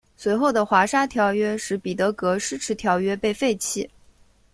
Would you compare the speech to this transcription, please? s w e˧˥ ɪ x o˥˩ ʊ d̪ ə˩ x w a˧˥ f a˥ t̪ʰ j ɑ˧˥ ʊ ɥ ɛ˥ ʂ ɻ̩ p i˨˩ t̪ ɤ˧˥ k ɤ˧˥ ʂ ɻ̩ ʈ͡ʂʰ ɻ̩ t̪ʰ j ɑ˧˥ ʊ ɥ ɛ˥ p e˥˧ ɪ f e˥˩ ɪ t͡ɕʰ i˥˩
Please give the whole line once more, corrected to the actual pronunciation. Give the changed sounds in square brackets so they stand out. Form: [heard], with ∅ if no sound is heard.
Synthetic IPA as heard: s w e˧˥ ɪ x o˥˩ ʊ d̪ ə˩ x w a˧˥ [ʂ] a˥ t̪ʰ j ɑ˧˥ ʊ ɥ ɛ˥ ʂ ɻ̩ p i˨˩ t̪ ɤ˧˥ k ɤ˧˥ ʂ ɻ̩ ʈ͡ʂʰ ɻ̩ t̪ʰ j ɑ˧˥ ʊ ɥ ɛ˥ p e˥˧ ɪ f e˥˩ ɪ t͡ɕʰ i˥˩